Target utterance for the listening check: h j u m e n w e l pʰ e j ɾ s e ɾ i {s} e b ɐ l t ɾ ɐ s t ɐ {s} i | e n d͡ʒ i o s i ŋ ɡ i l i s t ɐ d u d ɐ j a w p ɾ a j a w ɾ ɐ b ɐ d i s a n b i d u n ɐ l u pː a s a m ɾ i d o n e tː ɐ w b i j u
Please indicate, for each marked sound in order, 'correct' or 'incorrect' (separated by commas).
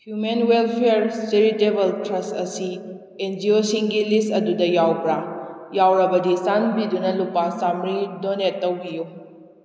incorrect, correct